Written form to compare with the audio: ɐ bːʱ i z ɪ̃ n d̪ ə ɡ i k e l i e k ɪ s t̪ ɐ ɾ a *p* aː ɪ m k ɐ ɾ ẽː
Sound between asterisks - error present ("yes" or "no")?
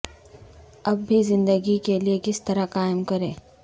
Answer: yes